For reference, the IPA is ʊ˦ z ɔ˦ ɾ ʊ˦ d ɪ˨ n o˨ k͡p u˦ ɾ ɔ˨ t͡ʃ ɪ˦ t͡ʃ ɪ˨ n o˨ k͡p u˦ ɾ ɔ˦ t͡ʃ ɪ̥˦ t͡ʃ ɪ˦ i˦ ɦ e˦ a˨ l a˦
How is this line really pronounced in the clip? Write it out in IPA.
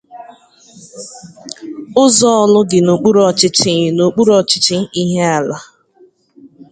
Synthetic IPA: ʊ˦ z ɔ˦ l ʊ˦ ɡ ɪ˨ n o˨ k͡p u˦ ɾ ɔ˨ t͡ʃ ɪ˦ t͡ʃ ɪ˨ n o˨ k͡p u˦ ɾ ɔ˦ t͡ʃ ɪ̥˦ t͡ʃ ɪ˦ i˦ ɦ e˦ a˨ l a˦